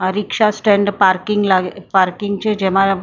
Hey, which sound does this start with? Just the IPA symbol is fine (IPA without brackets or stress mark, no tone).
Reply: ɾ